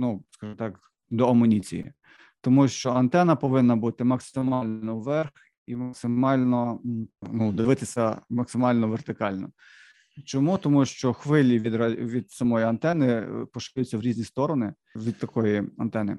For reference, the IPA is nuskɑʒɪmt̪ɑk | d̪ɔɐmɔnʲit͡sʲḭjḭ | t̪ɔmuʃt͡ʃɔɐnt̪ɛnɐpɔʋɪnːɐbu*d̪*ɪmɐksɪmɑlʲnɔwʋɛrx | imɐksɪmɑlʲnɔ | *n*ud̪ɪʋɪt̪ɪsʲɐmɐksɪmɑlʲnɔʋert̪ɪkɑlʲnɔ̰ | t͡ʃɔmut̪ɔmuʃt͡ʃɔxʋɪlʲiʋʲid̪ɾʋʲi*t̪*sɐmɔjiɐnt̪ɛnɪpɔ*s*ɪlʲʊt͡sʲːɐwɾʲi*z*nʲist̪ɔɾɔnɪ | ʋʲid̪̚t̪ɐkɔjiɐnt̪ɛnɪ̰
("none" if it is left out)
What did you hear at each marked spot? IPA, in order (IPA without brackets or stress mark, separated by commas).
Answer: t̪, n, d̪, ʃ, z